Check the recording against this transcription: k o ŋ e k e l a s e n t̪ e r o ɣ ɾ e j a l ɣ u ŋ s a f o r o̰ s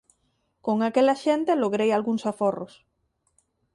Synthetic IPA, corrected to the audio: k o ŋ a k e l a ʃ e n t̪ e l o ɣ ɾ e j a l ɣ u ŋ s a f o r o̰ s

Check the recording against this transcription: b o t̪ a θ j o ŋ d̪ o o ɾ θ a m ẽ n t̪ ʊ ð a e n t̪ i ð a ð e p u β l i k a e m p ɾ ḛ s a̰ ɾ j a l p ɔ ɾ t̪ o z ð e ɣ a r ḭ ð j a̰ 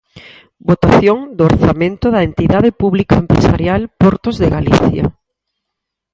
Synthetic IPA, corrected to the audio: b o t̪ a θ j o ŋ d̪ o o ɾ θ a m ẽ n t̪ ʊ ð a e n t̪ i ð a ð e p u β l i k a e m p ɾ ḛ s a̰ ɾ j a l p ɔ ɾ t̪ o z ð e ɣ a l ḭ θ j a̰

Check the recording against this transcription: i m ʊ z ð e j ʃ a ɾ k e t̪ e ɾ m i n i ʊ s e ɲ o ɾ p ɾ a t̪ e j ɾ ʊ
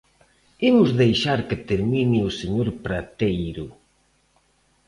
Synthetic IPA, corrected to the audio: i m ʊ z ð e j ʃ a ɾ k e t̪ e ɾ m i n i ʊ s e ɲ o ɾ p ɾ a t̪ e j ɾ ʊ

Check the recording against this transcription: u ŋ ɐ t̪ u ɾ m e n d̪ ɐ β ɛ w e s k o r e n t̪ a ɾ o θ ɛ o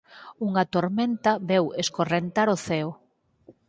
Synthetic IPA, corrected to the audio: u ŋ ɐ t̪ o ɾ m e n t̪ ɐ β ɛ w e s k o r e n t̪ a ɾ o θ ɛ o

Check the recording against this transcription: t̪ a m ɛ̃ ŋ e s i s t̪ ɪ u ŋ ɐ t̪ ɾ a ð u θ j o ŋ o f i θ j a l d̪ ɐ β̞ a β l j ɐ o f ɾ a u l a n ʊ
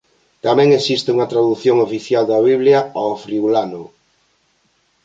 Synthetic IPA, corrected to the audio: t̪ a m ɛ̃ ŋ e s i s t̪ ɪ u ŋ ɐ t̪ ɾ a ð u θ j o ŋ o f i θ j a l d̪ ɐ β̞ i β l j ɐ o f ɾ i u l a n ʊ

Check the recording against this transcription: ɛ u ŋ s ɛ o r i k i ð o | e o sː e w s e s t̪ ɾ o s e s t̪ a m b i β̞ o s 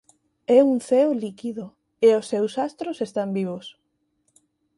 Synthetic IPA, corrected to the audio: ɛ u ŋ θ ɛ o l i k i ð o | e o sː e w s a s t̪ ɾ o s e s t̪ a m b i β̞ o s

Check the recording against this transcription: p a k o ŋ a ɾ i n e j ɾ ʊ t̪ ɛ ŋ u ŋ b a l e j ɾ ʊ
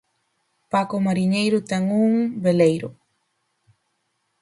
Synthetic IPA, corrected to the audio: p a k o m a ɾ i ɲ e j ɾ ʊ t̪ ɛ ŋ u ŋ b e l e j ɾ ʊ

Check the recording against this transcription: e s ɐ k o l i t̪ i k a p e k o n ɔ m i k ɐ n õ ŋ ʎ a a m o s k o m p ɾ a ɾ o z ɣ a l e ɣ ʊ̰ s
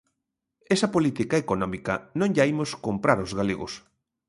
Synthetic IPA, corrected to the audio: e s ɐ p o l i t̪ i k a e k o n ɔ m i k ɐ n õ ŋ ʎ a i m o s k o m p ɾ a ɾ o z ɣ a l e ɣ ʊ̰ s

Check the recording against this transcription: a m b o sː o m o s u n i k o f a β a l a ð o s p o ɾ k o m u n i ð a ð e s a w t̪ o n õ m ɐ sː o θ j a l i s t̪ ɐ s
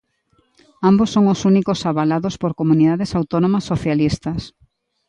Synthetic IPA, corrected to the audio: a m b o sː o ŋ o s u n i k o s a β a l a ð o s p o ɾ k o m u n i ð a ð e s a w t̪ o n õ m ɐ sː o θ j a l i s t̪ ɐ s

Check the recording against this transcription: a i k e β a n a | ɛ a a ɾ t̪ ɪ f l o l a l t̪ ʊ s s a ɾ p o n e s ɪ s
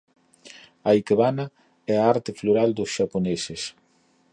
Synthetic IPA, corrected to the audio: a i k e β a n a | ɛ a a ɾ t̪ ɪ f l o ɾ a l d̪ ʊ s ʃ a p o n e s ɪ s

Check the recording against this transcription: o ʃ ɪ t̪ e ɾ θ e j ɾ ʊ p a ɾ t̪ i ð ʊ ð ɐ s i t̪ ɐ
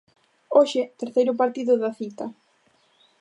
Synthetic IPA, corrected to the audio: o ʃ ɪ t̪ e ɾ θ e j ɾ ʊ p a ɾ t̪ i ð ʊ ð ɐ θ i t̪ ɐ

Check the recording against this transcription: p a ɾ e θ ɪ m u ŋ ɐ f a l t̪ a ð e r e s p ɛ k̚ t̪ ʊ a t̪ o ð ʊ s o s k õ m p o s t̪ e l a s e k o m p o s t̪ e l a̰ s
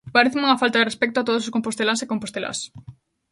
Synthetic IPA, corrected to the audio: p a ɾ e θ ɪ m u ŋ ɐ f a l t̪ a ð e r e s p ɛ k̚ t̪ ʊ a t̪ o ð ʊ s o s k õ m p o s t̪ e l a s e k o m p o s t̪ e l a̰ s

